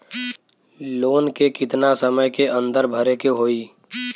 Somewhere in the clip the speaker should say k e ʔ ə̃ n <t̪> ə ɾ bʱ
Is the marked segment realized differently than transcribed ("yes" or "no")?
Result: yes